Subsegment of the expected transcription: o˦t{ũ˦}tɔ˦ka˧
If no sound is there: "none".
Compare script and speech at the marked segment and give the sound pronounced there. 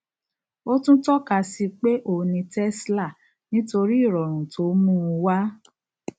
ũ˦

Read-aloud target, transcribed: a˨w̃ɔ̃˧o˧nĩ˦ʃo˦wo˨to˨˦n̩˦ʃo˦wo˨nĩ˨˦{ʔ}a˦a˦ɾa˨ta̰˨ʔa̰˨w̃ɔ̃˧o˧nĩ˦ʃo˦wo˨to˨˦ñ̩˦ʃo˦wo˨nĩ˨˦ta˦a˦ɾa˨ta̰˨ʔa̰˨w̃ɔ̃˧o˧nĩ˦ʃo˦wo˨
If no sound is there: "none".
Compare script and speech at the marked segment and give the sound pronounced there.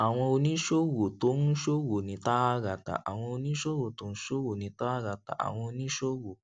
t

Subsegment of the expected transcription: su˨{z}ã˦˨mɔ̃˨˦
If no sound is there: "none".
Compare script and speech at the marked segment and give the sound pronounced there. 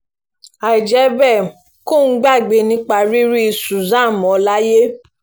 z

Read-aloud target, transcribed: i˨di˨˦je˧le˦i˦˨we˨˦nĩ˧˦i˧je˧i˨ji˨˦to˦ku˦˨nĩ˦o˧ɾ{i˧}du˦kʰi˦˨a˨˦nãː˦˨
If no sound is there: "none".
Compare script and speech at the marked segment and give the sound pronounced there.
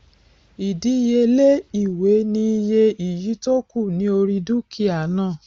i˧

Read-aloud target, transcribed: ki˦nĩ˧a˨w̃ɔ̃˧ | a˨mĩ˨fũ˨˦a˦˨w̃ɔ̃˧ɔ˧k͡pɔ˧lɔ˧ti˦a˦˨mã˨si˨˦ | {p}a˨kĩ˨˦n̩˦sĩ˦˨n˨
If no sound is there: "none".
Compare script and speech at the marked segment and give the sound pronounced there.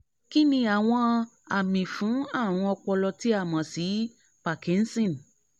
p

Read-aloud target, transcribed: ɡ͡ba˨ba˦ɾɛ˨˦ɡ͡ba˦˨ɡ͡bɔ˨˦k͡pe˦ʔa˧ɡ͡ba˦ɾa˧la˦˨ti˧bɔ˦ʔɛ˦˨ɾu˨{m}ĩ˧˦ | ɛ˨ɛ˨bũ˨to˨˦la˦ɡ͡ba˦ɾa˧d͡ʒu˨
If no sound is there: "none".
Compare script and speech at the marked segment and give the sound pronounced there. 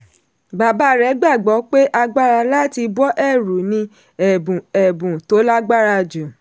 n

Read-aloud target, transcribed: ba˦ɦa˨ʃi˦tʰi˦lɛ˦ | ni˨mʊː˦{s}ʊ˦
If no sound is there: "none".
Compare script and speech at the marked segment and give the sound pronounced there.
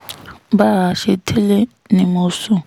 s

